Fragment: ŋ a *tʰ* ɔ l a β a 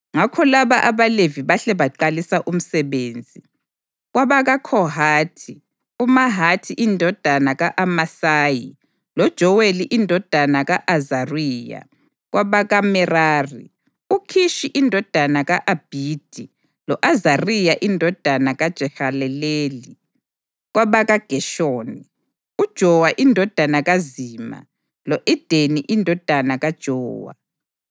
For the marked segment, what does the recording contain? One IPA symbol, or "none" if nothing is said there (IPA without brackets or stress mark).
kʰ